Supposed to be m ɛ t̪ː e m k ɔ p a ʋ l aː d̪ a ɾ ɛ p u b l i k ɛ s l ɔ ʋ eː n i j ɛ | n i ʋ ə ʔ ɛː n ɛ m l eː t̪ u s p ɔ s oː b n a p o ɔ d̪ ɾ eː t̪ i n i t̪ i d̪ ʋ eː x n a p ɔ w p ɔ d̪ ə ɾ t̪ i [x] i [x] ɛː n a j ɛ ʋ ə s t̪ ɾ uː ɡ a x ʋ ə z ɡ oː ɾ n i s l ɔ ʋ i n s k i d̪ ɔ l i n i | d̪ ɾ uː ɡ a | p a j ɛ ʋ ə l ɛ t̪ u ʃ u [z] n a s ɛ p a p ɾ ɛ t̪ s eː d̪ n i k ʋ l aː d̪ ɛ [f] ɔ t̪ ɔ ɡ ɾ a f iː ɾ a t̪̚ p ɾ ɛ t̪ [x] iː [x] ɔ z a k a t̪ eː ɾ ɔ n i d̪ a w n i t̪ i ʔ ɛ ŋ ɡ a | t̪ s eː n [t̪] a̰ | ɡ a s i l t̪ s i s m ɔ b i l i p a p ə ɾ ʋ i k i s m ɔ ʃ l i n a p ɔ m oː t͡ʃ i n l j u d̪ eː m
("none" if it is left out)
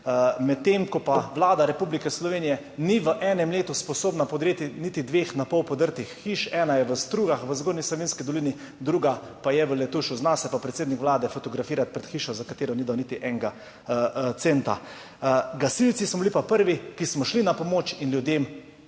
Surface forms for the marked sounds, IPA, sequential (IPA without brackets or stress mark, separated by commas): xː, ʃ, z, f, x, ʃ, t̪